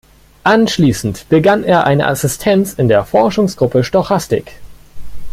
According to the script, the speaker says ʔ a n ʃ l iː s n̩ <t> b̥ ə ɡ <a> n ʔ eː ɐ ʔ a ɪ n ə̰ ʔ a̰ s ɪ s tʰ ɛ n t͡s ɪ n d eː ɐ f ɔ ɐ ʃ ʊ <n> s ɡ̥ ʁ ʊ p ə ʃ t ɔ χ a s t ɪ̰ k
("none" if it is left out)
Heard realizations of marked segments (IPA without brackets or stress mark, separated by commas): t, a, ŋ